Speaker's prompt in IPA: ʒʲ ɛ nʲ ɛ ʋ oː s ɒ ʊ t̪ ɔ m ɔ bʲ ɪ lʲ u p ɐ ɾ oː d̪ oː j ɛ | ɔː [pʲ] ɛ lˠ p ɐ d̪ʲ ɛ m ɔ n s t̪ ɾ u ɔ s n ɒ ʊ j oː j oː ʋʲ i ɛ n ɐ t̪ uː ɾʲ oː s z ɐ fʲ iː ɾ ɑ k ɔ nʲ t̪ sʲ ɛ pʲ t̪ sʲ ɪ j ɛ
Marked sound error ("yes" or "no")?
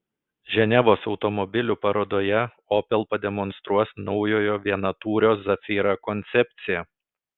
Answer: no